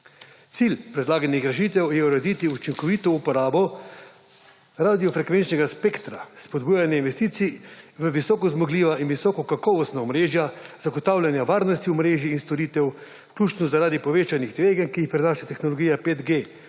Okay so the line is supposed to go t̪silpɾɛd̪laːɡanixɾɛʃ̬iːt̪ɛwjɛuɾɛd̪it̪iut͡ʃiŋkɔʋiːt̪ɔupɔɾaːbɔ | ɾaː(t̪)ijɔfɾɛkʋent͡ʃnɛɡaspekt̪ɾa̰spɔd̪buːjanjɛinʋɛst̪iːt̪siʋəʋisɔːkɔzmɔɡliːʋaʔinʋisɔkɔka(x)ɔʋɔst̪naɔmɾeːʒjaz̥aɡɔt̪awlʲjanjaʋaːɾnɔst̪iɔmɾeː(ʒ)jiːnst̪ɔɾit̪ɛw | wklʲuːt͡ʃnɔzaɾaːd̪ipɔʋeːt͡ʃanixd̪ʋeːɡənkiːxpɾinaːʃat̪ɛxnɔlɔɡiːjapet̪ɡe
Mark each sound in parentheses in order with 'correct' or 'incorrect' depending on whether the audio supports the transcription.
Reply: incorrect, incorrect, correct

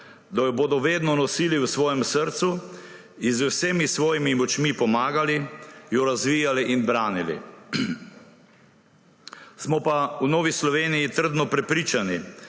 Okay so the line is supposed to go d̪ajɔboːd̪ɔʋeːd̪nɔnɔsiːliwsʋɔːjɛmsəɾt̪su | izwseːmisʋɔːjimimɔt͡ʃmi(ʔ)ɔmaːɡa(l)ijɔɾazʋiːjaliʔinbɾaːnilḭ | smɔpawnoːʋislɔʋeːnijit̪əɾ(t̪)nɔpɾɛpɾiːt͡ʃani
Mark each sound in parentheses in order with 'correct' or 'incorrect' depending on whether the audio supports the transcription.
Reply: incorrect, correct, incorrect

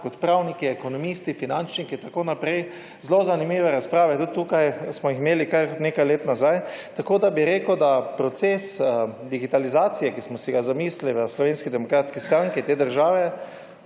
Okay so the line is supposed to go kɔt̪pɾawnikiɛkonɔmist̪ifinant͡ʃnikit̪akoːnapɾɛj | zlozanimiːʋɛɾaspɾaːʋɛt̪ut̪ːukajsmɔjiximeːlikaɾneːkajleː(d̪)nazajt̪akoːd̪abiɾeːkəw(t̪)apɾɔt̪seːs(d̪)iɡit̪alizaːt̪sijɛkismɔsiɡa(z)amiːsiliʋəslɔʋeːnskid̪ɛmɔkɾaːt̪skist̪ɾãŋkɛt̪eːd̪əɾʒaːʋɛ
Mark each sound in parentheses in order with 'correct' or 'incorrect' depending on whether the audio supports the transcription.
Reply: incorrect, incorrect, correct, correct

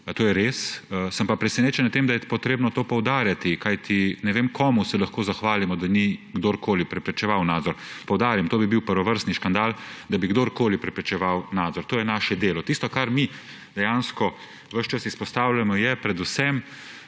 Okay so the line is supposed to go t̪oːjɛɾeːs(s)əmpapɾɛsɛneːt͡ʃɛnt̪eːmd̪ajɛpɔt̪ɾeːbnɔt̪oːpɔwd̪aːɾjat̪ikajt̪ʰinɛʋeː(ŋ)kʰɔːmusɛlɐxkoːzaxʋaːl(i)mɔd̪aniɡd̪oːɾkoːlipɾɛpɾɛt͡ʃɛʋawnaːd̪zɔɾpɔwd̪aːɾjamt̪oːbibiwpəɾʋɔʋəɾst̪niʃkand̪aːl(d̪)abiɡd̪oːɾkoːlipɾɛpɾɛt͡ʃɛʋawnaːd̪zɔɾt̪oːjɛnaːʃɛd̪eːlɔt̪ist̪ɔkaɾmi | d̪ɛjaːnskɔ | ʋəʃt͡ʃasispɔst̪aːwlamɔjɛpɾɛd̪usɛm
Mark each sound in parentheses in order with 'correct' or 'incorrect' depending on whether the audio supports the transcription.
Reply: correct, incorrect, correct, correct

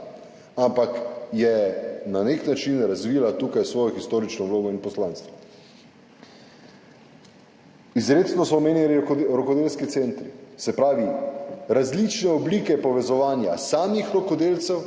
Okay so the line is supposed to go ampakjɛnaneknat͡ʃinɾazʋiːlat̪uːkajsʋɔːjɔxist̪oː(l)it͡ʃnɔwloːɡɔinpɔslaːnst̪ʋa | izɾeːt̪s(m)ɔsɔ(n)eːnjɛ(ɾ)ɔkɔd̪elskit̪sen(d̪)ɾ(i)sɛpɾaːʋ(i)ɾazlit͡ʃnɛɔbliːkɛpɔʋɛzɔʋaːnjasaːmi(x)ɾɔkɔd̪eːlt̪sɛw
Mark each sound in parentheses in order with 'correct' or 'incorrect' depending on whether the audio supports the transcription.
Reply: incorrect, incorrect, incorrect, correct, incorrect, correct, correct, correct

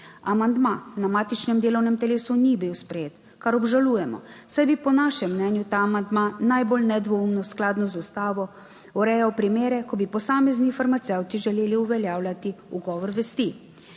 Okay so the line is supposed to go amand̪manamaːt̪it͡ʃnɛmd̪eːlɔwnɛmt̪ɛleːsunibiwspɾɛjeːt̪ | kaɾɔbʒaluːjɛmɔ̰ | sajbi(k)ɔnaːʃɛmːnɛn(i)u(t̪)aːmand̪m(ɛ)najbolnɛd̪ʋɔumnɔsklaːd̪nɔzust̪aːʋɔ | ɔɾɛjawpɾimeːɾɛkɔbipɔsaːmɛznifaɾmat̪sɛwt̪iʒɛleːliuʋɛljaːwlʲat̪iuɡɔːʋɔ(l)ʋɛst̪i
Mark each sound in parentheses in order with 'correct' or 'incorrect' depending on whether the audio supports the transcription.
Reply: incorrect, incorrect, correct, incorrect, incorrect

